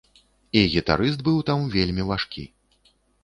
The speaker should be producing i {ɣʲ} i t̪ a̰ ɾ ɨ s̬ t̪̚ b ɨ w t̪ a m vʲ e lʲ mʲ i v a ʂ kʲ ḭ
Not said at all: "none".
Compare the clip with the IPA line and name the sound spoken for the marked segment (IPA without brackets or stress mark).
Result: ɣʲ